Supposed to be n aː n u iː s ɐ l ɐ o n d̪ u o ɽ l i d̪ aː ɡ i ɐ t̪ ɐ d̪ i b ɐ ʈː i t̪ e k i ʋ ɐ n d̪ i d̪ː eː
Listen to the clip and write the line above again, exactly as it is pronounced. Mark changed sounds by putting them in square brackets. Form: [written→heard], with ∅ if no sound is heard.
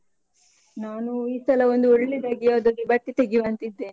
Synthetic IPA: n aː n u iː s ɐ l ɐ o n d̪ u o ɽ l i d̪ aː ɡ i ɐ [t̪→d̪] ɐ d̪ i b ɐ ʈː i t̪ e [k→ɡ] i ʋ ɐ n [d̪→t̪] i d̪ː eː